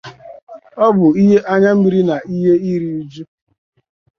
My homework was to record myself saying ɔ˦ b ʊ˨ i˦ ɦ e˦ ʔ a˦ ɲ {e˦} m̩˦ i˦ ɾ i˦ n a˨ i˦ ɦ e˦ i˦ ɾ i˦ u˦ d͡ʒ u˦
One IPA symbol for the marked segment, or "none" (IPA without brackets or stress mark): a˦